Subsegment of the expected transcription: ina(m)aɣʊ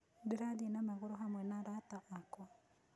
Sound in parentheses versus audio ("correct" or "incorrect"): correct